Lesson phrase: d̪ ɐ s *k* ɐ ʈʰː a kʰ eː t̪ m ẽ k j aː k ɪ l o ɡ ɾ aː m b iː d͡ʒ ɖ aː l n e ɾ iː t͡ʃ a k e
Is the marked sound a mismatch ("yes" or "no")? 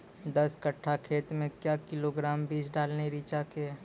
no